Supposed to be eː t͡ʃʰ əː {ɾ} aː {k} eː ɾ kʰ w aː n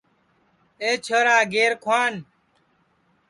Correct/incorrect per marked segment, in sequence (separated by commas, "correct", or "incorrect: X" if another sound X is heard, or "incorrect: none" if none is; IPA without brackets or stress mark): correct, incorrect: ɡ